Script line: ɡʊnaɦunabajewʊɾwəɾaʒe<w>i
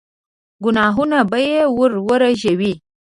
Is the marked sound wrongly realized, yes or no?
no